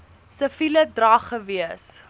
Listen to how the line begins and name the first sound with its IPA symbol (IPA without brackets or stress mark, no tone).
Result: s